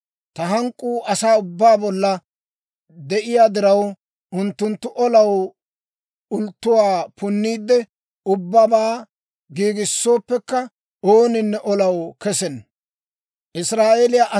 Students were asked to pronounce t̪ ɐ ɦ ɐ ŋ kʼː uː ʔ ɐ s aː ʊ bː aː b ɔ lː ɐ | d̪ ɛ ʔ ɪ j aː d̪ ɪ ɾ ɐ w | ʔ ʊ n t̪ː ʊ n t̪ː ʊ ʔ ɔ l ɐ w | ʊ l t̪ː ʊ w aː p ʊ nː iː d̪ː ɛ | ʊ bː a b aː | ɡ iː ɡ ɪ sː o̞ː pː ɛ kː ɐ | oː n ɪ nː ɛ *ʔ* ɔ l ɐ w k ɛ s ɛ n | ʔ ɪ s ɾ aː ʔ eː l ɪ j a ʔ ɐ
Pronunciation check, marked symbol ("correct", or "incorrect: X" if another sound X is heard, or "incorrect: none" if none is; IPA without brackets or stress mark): correct